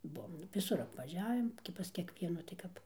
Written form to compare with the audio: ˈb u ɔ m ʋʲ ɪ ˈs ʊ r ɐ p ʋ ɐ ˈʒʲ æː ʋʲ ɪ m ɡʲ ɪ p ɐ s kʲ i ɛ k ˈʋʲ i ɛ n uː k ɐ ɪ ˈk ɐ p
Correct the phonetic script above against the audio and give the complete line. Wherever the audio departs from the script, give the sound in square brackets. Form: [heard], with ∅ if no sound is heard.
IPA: ˈb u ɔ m ʋʲ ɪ ˈs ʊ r ɐ p ʋ ɐ ˈʒʲ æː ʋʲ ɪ m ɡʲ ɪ p ɐ s kʲ i ɛ k ˈʋʲ i ɛ n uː [t] ɐ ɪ ˈk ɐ p